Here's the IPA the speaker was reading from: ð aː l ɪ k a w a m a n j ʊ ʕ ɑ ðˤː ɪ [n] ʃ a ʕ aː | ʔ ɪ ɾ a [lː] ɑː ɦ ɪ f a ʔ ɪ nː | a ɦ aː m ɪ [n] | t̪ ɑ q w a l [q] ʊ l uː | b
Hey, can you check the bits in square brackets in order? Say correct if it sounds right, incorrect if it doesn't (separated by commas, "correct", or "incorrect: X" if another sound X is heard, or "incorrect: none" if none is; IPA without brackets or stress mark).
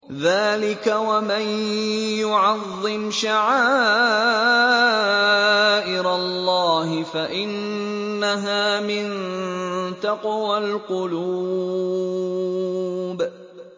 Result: incorrect: m, correct, correct, correct